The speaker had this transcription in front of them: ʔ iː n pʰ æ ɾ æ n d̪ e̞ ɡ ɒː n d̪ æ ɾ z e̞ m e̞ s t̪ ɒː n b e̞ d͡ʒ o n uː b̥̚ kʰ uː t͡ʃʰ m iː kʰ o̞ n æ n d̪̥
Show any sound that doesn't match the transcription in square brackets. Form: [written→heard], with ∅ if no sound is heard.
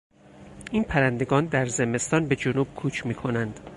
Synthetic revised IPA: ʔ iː n pʰ æ ɾ æ n d̪ e̞ ɡ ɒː n d̪ æ ɾ z e̞ m e̞ s t̪ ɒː n b e̞ d͡ʒ o n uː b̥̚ kʰ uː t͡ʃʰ m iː kʰ o̞ n æ n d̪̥